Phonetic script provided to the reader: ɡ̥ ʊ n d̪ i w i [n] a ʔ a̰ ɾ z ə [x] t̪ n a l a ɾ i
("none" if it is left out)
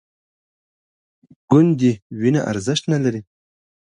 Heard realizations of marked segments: n, ʃ

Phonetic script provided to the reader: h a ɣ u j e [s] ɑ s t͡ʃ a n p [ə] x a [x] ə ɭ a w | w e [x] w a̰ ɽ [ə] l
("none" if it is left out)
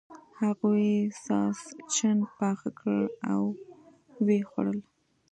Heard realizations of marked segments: s, ɑ, k, x, ə

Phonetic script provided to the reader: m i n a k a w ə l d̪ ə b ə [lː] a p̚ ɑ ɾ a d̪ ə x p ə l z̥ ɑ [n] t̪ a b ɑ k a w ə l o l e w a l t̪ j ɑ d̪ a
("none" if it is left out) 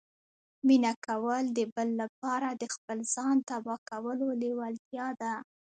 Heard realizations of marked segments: lː, n

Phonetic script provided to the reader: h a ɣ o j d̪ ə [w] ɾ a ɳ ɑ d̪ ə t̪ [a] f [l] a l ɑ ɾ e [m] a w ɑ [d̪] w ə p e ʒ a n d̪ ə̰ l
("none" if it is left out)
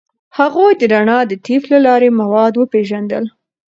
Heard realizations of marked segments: none, i, l, m, d̪

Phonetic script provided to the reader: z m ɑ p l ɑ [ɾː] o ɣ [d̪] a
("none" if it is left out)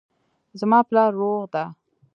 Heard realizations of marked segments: ɾː, d̪

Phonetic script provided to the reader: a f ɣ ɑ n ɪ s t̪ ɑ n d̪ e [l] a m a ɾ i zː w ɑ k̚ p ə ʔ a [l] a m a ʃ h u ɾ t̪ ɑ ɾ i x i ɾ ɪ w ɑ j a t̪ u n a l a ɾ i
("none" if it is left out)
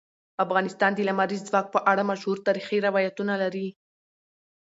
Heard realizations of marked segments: l, ɽ

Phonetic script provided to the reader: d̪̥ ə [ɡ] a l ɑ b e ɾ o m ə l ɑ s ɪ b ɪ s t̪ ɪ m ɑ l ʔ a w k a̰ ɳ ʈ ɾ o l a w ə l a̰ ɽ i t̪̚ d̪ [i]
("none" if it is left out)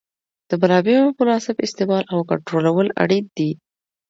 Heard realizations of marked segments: b, i

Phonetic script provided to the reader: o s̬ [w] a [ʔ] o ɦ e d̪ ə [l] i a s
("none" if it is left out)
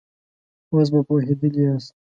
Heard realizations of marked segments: b, p, l

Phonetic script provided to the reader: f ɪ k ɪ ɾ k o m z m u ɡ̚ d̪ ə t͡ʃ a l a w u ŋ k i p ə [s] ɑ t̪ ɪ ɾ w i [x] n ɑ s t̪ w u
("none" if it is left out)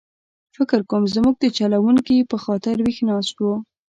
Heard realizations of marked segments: x, x

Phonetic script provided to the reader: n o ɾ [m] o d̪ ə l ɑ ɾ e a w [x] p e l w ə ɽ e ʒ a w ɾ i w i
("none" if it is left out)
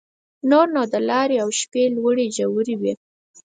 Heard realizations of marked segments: n, ʃ

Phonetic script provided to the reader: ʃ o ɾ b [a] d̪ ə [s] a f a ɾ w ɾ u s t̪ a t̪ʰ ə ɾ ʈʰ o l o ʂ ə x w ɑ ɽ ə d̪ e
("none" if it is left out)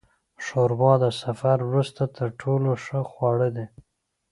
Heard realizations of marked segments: ɑ, s

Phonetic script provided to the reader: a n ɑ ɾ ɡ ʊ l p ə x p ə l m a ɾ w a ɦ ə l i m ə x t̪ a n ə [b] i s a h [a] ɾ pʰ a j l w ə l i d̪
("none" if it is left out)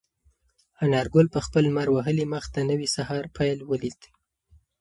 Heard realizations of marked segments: w, ɑ

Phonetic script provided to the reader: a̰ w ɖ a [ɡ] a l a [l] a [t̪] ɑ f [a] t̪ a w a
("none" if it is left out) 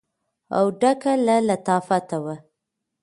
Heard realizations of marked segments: k, l, t̪, a

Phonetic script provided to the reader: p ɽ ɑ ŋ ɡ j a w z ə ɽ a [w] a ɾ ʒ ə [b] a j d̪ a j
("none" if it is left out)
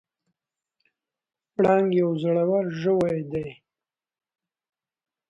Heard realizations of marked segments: w, w

